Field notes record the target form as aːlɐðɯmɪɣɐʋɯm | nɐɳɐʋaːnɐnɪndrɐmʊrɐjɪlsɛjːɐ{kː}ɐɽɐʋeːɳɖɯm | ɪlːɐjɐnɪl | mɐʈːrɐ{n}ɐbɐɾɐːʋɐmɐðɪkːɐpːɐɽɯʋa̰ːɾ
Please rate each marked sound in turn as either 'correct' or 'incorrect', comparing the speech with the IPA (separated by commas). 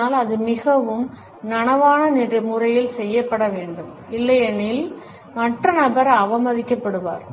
incorrect, correct